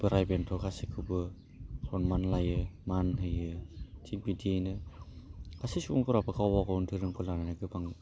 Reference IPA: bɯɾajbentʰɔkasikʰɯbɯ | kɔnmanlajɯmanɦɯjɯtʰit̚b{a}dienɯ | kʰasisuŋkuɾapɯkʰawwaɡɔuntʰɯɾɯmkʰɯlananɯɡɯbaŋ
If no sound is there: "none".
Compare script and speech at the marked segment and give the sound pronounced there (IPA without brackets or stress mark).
i